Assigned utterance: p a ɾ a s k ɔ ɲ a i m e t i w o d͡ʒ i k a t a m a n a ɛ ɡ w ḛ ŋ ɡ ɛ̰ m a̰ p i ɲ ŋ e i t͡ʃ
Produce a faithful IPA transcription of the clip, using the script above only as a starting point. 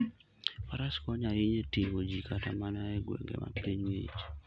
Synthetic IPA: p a ɾ a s k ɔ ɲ a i ɲ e t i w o d͡ʒ i k a t a m a n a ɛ ɡ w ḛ ŋ ɡ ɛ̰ m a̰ p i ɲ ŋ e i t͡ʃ